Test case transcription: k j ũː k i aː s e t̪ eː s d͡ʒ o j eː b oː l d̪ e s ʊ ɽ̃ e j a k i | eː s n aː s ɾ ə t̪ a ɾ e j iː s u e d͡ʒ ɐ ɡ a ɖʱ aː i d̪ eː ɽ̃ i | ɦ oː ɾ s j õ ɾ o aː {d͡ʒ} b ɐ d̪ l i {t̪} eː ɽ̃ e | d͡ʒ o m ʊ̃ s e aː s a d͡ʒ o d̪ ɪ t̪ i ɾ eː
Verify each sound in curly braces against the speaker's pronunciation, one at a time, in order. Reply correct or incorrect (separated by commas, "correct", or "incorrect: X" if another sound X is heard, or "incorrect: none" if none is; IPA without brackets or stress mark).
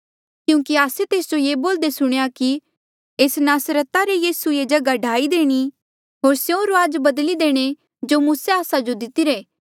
correct, incorrect: d̪